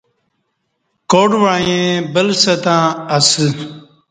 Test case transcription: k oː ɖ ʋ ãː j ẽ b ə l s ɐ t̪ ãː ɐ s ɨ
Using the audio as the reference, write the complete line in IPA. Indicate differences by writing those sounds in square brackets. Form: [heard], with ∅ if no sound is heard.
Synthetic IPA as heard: k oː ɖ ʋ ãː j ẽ b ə l s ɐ t̪ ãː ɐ s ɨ